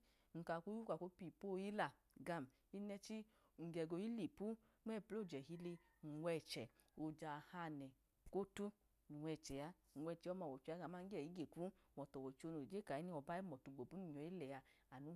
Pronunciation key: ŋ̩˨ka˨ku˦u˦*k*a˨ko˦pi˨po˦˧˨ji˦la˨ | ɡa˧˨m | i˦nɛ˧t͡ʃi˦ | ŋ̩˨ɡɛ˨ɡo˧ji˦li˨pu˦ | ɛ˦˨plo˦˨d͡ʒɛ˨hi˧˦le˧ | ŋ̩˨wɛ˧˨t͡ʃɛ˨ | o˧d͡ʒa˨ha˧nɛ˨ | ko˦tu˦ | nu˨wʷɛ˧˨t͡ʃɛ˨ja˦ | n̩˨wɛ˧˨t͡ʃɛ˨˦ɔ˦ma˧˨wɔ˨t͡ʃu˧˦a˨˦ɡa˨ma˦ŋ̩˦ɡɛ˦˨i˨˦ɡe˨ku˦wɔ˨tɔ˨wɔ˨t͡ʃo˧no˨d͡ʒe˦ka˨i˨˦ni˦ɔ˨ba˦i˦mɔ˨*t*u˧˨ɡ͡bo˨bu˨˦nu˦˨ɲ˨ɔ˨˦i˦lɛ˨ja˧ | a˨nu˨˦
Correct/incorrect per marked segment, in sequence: correct, correct

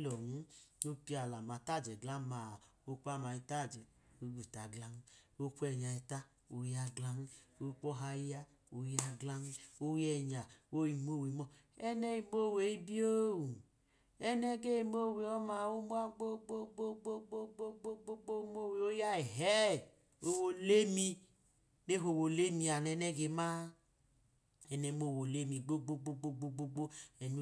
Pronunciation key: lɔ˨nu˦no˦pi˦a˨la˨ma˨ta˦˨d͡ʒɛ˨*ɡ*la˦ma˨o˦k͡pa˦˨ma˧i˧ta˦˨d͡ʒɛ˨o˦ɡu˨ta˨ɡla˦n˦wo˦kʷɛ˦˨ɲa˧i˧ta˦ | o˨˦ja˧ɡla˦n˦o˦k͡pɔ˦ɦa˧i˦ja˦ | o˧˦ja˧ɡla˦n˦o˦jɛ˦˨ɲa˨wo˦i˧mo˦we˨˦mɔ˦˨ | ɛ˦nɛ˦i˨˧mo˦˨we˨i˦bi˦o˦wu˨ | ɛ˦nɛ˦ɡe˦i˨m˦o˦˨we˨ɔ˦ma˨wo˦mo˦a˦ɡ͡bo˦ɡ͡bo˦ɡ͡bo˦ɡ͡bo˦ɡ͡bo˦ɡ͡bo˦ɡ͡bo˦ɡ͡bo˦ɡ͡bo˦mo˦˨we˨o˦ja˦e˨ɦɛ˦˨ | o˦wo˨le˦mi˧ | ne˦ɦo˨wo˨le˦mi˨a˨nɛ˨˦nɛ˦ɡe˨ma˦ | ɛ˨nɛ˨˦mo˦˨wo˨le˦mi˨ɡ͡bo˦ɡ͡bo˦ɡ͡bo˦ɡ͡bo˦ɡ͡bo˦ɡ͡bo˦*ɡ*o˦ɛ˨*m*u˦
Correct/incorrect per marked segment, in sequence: correct, incorrect: ɡ͡b, incorrect: n

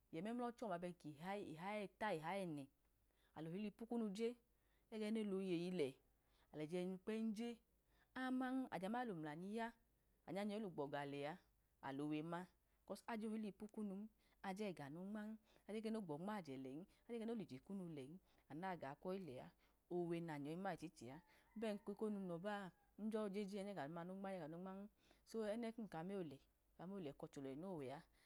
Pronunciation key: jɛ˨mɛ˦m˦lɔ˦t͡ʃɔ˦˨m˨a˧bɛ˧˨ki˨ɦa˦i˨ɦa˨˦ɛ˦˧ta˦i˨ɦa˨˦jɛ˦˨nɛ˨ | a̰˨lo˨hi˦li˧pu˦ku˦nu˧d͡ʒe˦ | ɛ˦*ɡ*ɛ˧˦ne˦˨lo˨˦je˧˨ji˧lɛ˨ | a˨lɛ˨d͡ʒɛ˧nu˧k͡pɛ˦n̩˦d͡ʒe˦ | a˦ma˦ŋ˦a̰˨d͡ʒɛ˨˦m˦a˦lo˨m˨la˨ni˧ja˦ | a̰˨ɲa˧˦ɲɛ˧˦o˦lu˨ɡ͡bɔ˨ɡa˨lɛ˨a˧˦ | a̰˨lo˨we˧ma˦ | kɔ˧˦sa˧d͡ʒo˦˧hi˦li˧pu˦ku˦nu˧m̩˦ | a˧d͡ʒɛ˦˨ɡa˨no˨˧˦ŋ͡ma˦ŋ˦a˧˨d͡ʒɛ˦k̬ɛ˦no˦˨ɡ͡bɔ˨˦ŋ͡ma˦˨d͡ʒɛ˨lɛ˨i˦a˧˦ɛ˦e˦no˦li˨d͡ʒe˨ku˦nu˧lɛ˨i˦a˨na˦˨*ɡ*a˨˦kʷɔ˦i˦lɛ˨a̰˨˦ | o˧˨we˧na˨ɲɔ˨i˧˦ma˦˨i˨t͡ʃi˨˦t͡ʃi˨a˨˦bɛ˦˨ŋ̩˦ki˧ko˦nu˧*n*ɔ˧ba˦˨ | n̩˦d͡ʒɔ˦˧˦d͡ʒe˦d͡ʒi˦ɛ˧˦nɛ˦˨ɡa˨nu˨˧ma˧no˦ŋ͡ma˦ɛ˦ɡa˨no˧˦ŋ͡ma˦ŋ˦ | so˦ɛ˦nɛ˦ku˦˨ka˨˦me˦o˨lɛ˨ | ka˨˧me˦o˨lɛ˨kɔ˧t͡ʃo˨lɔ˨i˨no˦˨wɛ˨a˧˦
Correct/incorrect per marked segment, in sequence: correct, correct, correct

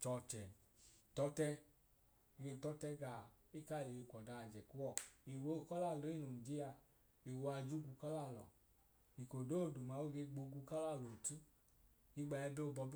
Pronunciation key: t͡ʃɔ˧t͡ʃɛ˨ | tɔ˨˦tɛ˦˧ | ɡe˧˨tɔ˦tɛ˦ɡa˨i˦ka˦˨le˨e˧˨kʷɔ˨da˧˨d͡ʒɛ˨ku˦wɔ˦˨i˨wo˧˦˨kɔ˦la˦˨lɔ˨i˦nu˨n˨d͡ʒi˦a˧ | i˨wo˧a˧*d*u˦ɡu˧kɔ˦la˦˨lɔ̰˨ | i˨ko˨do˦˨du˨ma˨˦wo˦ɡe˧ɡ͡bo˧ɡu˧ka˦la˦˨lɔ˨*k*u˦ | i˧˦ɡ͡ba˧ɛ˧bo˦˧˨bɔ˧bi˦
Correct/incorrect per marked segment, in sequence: incorrect: d͡ʒ, incorrect: t

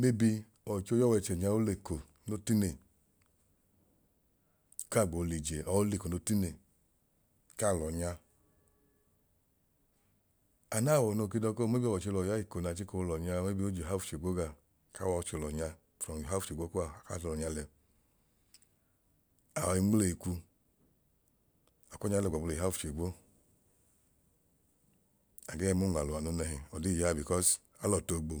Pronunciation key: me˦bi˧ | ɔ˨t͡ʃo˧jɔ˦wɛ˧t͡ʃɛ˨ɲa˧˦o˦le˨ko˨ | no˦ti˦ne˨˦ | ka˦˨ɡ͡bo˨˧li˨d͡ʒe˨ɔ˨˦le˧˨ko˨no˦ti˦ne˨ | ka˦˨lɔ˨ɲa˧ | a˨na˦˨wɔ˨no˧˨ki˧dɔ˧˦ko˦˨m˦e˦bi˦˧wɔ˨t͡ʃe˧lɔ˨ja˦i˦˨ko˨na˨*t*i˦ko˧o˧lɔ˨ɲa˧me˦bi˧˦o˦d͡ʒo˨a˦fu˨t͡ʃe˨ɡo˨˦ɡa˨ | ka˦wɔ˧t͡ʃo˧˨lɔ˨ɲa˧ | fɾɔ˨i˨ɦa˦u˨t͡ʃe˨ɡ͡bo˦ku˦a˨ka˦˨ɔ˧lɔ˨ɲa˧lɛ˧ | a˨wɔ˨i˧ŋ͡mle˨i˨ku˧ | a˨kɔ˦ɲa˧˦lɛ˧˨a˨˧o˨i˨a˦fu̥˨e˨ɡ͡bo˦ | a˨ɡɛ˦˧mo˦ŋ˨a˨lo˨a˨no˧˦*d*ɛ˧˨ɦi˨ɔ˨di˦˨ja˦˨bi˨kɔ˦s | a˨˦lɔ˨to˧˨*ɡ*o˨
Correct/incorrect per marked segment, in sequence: incorrect: t͡ʃ, incorrect: n, incorrect: ɡ͡b

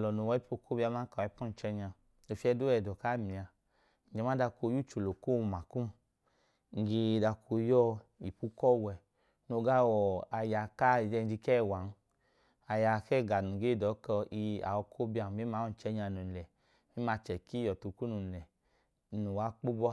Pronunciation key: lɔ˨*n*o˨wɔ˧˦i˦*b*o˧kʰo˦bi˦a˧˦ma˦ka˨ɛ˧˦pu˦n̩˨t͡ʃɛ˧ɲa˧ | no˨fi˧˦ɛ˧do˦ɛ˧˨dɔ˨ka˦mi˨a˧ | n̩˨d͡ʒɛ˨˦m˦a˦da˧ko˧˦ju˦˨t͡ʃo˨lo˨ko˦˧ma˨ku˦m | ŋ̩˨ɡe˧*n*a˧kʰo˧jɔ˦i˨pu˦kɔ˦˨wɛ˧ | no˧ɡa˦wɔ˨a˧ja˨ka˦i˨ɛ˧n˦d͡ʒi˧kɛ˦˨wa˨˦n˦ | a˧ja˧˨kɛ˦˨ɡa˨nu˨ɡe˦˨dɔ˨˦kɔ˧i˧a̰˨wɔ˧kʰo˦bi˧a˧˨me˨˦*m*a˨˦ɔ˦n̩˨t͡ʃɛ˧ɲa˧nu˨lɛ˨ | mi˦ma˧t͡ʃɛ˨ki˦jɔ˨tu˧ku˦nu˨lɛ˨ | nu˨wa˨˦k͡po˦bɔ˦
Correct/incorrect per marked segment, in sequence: correct, incorrect: p, incorrect: d, correct

